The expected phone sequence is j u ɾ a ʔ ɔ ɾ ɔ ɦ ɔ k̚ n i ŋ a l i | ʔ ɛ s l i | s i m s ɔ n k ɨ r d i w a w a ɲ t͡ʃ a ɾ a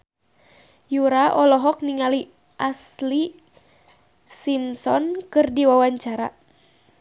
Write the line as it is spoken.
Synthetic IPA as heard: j u ɾ a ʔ ɔ l ɔ ɦ ɔ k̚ n i ŋ a l i | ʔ a s l i | s i m s ɔ n k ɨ r d i w a w a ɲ t͡ʃ a ɾ a